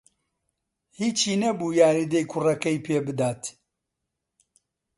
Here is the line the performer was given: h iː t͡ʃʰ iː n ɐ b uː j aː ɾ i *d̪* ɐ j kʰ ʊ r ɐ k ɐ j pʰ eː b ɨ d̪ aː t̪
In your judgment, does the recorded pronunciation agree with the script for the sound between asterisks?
yes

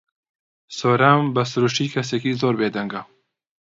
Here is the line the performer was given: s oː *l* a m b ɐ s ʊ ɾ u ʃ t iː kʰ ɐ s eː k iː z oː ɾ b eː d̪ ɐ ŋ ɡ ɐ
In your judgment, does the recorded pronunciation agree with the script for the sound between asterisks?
no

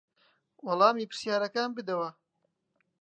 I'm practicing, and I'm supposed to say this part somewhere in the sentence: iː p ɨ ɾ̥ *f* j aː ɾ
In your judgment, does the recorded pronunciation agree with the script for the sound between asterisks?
no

